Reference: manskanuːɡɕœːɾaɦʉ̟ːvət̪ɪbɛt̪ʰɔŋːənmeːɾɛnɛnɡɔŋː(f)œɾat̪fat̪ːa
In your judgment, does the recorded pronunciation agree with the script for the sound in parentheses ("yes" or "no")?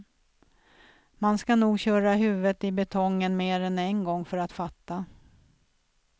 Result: yes